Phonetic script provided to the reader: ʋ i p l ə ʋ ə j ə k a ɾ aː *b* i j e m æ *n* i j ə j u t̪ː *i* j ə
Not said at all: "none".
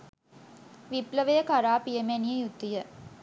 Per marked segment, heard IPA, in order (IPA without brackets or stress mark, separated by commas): p, n, i